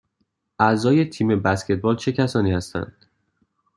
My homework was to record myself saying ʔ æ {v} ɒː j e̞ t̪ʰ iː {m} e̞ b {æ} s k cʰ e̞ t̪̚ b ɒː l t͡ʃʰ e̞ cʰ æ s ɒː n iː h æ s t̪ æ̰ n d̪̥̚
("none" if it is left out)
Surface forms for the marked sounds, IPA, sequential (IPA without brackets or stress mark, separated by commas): z, m, æ